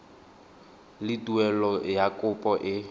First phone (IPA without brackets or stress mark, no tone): l